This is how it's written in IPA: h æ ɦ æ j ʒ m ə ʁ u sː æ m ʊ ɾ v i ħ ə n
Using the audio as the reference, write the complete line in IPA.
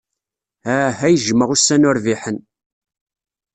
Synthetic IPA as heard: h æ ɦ æ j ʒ m ə ʁ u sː æ n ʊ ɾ v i ħ ə n